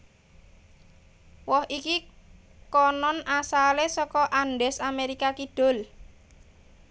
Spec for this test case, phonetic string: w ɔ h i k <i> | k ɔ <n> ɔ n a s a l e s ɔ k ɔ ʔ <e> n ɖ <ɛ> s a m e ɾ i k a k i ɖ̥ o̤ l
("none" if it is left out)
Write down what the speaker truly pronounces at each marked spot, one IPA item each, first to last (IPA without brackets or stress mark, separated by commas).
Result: i, n, a, ɛ